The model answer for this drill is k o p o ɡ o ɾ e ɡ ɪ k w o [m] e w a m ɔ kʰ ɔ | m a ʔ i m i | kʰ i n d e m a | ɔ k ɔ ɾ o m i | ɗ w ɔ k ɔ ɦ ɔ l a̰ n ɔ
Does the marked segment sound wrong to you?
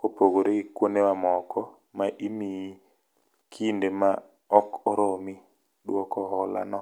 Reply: yes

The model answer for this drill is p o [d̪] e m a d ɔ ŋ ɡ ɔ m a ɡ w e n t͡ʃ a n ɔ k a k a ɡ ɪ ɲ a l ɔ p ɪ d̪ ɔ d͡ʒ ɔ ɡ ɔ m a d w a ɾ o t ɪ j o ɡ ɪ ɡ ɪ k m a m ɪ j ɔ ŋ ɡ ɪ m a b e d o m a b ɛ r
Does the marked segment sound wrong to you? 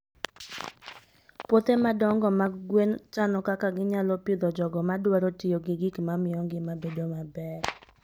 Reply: yes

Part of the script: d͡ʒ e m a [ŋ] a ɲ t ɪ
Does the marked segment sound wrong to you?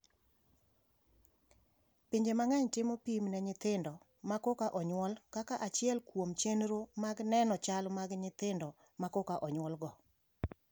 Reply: no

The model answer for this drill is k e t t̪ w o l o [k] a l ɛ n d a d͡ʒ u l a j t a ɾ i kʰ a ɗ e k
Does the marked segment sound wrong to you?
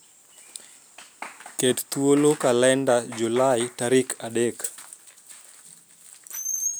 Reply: no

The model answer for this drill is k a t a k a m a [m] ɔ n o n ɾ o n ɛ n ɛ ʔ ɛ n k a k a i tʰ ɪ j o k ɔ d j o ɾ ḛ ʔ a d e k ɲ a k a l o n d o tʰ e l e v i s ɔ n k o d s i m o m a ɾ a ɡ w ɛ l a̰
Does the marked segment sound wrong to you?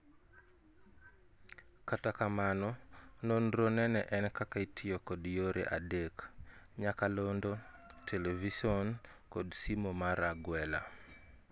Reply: yes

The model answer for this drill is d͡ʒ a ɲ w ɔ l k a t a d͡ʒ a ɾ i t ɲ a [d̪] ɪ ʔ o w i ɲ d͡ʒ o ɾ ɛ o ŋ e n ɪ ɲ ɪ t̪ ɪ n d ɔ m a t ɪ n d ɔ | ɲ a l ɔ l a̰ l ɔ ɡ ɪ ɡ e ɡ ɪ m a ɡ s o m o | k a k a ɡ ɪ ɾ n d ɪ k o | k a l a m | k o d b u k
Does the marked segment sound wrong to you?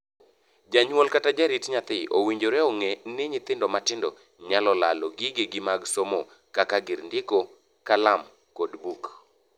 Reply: yes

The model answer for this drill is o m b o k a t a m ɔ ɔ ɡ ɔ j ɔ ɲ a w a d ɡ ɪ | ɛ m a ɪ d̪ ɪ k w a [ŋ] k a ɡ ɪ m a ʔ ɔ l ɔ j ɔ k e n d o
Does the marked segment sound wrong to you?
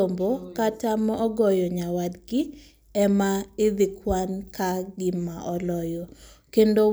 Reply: yes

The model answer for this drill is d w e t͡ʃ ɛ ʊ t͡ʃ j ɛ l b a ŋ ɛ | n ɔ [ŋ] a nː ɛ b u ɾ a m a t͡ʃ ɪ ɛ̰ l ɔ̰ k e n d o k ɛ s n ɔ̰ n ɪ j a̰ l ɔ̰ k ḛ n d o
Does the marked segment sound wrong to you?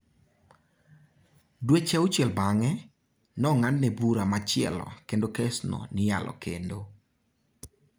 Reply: no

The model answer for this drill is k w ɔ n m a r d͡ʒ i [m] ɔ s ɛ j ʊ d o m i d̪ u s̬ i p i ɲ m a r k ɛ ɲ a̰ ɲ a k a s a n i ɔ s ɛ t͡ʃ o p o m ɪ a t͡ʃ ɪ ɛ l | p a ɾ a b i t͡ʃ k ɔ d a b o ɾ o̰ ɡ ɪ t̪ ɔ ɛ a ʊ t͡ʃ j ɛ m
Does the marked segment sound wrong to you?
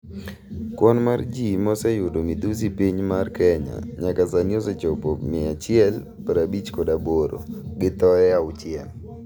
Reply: no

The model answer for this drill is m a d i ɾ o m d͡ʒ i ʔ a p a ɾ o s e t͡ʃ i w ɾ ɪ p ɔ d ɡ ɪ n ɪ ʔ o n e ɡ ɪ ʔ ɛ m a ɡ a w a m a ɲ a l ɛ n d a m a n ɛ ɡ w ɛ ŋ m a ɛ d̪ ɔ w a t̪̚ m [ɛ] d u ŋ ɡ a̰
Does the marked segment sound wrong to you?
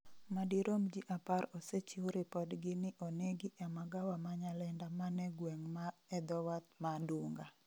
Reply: yes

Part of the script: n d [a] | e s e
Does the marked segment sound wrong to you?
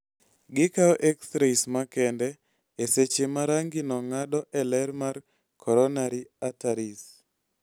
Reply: yes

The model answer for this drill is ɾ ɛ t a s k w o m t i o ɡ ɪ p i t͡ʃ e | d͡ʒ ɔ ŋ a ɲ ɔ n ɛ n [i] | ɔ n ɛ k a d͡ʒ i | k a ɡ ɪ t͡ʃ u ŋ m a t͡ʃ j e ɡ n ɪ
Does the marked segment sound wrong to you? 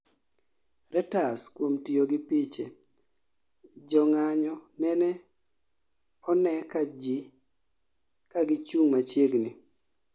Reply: yes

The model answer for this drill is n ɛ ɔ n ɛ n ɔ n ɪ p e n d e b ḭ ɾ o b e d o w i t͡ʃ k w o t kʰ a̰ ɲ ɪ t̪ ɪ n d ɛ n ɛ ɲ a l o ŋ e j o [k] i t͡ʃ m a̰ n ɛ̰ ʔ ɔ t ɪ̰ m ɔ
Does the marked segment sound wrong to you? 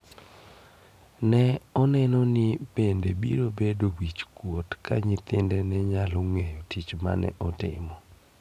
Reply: yes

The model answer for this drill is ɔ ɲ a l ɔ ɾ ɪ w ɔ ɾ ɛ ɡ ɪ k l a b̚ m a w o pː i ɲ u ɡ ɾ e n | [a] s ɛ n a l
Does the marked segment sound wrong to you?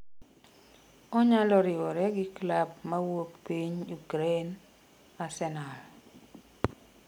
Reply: no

